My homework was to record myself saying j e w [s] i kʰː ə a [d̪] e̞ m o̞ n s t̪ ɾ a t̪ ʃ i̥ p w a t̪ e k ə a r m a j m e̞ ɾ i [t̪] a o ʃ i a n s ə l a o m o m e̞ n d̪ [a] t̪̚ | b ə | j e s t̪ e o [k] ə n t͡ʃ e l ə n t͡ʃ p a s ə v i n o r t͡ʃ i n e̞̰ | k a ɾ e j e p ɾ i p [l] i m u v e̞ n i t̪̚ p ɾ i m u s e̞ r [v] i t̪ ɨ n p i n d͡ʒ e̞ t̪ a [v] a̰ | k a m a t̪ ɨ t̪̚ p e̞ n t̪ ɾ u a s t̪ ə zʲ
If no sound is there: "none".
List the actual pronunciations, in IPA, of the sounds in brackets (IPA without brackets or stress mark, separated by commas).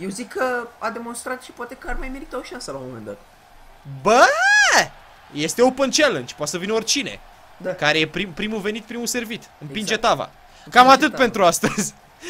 z, d̪, t̪, a, p, ɾ, v, v